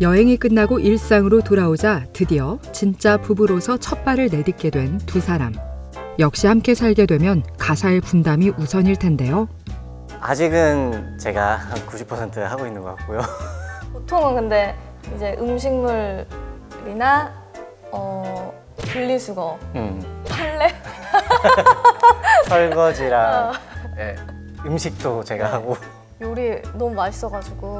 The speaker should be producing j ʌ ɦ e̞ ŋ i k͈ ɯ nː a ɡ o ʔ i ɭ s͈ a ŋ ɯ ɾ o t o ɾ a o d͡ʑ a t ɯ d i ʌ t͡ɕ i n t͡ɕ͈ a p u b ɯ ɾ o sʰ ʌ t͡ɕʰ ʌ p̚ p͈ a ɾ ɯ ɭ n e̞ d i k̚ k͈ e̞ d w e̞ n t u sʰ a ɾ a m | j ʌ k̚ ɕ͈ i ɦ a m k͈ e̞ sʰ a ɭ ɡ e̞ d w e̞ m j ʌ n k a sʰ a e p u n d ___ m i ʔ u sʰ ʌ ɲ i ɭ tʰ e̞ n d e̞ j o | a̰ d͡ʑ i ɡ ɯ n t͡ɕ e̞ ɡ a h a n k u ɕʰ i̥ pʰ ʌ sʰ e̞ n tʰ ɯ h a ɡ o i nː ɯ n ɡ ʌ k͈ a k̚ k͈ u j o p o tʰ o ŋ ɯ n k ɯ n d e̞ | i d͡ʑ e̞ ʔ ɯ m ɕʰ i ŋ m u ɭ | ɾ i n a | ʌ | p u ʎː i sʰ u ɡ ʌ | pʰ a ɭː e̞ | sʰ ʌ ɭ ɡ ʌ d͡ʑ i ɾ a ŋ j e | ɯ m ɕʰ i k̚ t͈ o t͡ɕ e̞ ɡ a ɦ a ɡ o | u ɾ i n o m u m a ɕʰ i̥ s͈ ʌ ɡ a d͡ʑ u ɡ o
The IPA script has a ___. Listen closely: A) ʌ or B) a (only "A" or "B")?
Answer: B